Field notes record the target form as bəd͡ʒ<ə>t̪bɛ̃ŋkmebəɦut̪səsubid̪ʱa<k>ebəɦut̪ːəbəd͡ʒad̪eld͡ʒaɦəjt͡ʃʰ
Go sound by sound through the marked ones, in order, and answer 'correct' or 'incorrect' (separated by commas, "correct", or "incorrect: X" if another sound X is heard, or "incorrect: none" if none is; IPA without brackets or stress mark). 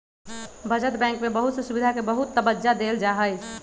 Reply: correct, correct